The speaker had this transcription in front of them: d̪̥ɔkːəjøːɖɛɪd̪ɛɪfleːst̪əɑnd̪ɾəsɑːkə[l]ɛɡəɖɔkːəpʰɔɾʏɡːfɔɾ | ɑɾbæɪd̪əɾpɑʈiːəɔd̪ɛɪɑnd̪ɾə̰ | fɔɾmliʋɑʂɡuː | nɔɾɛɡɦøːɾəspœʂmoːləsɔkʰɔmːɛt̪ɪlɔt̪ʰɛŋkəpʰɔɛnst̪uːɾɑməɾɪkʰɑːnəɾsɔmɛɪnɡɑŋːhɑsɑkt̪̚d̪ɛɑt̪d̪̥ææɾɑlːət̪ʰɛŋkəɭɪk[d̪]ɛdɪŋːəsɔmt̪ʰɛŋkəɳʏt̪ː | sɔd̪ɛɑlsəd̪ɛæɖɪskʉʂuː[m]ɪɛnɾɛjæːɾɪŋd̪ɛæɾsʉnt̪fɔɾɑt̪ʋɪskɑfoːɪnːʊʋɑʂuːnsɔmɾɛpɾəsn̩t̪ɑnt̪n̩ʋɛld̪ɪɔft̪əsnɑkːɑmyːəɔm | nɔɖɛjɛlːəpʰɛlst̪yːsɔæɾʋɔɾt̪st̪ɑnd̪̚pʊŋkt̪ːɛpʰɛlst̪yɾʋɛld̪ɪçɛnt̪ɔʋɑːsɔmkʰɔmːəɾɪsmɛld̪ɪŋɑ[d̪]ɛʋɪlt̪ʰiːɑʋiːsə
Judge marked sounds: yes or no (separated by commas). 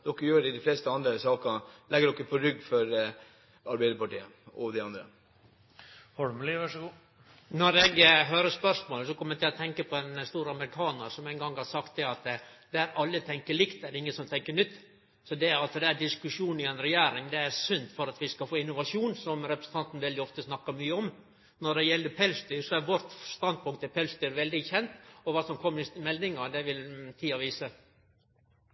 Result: yes, no, no, yes